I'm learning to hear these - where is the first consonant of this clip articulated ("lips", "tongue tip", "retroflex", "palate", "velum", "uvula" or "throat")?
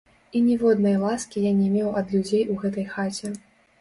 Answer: tongue tip